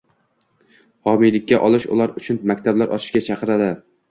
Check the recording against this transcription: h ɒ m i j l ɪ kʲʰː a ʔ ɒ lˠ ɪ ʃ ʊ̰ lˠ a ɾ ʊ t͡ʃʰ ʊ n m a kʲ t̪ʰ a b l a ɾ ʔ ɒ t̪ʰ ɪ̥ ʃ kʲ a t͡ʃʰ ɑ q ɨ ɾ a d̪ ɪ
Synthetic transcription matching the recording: h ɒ m i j l ɪ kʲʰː a ʔ ɒ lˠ ɪ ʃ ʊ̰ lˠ a ɾ ʊ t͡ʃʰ ʊ n m a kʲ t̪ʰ a b l a ɾ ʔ ɒ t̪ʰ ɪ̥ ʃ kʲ a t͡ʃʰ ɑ q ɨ ɾ a d̪ ɪ